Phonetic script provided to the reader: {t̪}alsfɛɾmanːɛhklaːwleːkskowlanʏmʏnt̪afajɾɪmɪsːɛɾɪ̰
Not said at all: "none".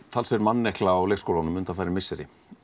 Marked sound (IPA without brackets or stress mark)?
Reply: t̪ʰ